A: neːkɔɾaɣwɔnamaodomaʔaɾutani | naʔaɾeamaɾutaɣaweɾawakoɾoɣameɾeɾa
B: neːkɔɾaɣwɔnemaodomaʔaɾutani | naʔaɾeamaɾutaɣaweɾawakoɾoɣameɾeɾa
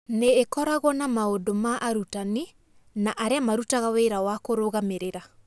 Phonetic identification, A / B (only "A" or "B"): A